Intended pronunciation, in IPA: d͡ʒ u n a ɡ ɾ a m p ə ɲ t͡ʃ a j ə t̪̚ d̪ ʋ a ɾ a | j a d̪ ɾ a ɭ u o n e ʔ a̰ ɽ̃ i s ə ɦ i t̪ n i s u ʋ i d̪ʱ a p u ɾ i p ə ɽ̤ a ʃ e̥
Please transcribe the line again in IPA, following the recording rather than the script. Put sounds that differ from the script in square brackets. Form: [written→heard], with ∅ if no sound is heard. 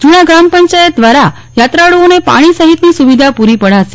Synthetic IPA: d͡ʒ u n a ɡ ɾ a m p ə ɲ t͡ʃ a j ə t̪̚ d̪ ʋ a ɾ a | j a [d̪→t̪] ɾ a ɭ u o n e [ʔ→p] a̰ ɽ̃ i s ə ɦ i t̪ n i s u ʋ i d̪ʱ a p u ɾ i p ə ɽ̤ a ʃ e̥